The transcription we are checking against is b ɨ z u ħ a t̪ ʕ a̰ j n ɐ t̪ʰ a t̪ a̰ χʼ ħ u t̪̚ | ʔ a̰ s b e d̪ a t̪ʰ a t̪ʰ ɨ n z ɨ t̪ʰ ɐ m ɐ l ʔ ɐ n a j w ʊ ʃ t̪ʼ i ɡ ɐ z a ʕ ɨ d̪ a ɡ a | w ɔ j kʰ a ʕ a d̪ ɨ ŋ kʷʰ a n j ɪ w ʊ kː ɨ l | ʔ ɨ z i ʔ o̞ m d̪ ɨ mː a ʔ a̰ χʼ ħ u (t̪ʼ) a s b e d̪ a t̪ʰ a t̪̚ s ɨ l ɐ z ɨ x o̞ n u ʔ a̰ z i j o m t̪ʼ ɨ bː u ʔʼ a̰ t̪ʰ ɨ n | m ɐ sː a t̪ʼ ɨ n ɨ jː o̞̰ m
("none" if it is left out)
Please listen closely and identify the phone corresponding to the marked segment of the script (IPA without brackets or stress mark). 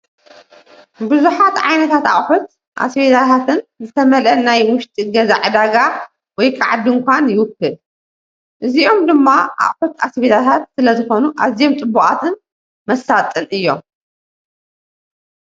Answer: t̪